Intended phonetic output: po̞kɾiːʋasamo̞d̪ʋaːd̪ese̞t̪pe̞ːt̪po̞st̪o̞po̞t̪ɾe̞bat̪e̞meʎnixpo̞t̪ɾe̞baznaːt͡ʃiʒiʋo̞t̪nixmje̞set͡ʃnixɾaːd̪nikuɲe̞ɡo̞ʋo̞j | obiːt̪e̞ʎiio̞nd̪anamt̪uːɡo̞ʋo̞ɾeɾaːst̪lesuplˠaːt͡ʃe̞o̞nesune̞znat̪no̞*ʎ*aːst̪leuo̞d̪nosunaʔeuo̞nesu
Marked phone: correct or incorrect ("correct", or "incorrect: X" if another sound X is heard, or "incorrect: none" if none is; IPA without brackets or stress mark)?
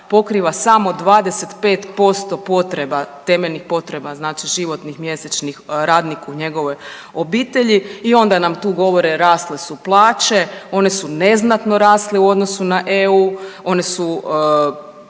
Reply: incorrect: ɾ